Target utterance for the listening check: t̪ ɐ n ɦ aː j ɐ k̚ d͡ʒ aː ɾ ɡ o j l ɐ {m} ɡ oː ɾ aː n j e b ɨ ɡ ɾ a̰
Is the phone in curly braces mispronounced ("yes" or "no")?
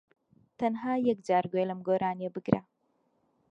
no